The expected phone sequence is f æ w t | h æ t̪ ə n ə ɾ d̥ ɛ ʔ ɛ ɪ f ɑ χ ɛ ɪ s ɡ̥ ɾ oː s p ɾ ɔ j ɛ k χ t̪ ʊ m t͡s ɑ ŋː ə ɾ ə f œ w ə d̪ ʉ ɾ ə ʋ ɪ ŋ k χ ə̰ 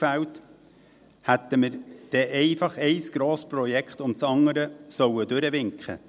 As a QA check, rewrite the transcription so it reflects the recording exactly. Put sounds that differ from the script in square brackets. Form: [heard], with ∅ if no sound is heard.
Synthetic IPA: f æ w t | h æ t̪ ə [m] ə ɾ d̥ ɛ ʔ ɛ ɪ f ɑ χ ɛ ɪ s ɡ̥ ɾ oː s p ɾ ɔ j ɛ k χ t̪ ʊ m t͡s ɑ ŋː ə ɾ ə [s] œ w ə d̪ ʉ ɾ ə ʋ ɪ ŋ k χ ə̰